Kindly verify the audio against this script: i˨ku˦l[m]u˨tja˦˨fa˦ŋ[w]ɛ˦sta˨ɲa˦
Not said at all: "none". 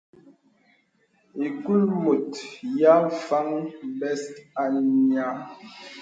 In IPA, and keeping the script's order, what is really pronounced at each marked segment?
m, b

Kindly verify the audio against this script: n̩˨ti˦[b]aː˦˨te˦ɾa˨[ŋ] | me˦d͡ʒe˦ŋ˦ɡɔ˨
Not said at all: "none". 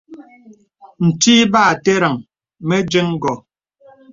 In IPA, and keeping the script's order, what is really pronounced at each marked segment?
b, ŋ

